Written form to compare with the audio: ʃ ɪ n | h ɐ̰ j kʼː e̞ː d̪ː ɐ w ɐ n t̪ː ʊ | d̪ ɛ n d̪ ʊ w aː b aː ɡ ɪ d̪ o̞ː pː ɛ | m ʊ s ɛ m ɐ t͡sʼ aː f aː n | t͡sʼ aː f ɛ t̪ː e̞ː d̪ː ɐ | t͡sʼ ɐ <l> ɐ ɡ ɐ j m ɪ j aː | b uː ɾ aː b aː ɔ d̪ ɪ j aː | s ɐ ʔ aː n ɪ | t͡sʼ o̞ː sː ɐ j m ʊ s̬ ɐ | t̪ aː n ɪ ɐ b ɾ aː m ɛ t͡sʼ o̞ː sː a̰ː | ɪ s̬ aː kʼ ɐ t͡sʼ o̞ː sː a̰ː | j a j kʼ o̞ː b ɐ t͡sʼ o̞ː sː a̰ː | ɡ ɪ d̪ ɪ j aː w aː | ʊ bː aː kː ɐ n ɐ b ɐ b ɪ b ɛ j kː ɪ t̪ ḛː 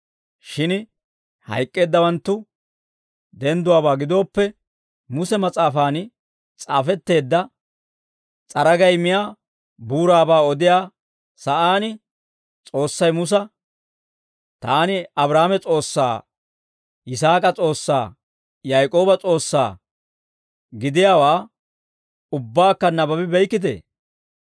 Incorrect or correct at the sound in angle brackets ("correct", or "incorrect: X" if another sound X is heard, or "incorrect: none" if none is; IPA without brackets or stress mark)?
incorrect: ɾ